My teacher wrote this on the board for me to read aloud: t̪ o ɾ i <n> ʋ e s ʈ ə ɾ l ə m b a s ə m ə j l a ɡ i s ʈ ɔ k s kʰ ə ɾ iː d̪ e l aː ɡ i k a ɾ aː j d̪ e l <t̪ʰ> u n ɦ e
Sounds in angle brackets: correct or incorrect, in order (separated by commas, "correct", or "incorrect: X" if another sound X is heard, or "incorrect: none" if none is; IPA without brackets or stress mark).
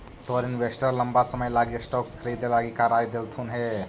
correct, correct